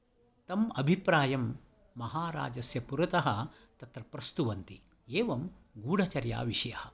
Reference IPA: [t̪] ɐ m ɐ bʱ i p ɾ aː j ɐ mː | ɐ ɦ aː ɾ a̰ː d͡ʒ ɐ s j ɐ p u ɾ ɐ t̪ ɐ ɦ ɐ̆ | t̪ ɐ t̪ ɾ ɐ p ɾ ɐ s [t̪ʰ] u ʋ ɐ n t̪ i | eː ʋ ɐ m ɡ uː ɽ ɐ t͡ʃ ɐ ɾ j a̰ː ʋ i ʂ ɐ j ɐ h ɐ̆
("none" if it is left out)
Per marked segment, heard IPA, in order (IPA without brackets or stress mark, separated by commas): t̪, t̪